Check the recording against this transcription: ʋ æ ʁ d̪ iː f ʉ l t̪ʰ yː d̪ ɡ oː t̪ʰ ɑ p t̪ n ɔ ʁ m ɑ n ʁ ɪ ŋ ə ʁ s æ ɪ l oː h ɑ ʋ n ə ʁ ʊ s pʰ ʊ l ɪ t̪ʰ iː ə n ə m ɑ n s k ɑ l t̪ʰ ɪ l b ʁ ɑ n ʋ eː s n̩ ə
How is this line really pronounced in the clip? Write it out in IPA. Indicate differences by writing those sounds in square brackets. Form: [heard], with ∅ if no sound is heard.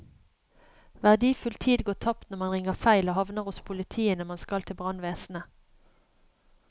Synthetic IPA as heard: ʋ æ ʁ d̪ iː f ʉ l t̪ʰ [iː] d̪ ɡ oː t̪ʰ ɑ p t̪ n ɔ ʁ m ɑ n ʁ ɪ ŋ ə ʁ [f] æ ɪ l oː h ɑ ʋ n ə ʁ ʊ s pʰ ʊ l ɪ t̪ʰ iː ə n ə m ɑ n s k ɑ l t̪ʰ ɪ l b ʁ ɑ n ʋ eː s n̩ ə

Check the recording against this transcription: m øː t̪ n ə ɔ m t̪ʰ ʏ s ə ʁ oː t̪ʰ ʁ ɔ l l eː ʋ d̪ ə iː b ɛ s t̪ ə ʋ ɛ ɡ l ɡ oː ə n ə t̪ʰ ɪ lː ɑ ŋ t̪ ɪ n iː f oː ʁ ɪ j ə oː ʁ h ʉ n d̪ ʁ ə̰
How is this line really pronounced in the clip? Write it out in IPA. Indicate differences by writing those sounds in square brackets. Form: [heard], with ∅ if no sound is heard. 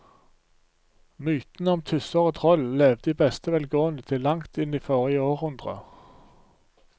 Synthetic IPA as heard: m [yː] t̪ n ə ɔ m t̪ʰ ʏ s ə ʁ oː t̪ʰ ʁ ɔ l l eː ʋ d̪ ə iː b ɛ s t̪ ə ʋ ɛ [∅] l ɡ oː ə n ə t̪ʰ ɪ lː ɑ ŋ t̪ ɪ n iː f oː ʁ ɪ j ə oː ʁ h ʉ n d̪ ʁ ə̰

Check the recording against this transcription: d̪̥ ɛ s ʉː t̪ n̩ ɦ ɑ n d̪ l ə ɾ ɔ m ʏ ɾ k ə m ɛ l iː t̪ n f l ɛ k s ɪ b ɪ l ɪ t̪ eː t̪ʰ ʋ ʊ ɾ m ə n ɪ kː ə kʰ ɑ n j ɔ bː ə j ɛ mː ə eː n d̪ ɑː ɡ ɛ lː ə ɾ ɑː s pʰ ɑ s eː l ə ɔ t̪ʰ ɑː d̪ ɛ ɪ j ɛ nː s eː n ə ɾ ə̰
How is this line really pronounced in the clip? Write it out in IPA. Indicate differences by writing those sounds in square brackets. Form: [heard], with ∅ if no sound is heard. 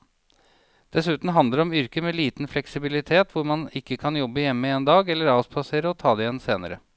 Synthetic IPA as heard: d̪̥ ɛ s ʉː t̪ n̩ ɦ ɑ n d̪ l ə ɾ ɔ m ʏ ɾ k ə m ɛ l iː t̪ n f l ɛ k s ɪ b ɪ l ɪ [t̪ʰ] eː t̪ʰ ʋ ʊ ɾ m [ɑ] n ɪ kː ə kʰ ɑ n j ɔ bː ə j ɛ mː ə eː n d̪ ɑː ɡ ɛ lː ə ɾ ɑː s pʰ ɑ s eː [ɾ] ə ɔ t̪ʰ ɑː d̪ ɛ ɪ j ɛ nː s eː n ə ɾ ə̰

